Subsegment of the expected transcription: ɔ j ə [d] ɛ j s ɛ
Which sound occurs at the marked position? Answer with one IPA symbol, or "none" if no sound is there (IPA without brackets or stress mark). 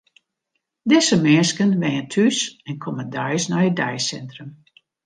d